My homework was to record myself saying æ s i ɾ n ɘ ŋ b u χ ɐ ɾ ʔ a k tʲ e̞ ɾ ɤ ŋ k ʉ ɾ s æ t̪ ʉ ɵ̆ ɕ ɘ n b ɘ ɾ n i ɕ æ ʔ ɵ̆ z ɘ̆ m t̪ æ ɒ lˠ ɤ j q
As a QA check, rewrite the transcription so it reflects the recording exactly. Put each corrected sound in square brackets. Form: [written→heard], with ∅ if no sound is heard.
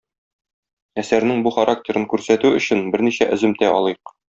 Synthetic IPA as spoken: æ s [i→æ] ɾ n ɘ ŋ b u χ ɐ ɾ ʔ a k tʲ e̞ ɾ ɤ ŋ k ʉ ɾ s æ t̪ ʉ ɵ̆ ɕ ɘ n b ɘ ɾ n i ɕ æ ʔ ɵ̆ z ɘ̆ m t̪ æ ɒ lˠ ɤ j q